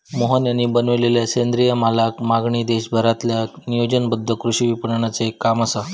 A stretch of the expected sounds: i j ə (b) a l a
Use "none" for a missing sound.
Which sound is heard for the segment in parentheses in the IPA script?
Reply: m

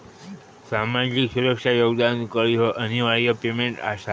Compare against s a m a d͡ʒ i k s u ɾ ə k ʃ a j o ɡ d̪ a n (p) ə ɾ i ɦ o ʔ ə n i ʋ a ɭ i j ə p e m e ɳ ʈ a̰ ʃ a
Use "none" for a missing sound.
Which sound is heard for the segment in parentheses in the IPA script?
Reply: k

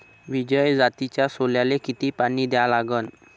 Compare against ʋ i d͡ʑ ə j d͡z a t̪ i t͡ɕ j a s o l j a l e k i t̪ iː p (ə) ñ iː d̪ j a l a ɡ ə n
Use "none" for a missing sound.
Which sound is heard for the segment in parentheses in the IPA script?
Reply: a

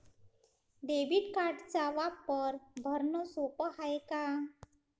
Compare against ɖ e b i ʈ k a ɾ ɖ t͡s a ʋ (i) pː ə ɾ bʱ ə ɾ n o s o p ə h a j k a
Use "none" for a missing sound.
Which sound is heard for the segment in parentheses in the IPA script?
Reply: a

